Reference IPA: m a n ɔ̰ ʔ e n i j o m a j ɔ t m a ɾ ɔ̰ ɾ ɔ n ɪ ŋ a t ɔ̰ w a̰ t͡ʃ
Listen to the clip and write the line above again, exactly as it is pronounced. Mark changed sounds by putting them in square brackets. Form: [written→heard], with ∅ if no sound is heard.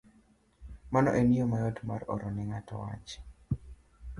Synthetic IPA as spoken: m a n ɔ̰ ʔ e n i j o m a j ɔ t m a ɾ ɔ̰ ɾ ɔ n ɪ ŋ a t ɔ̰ w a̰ t͡ʃ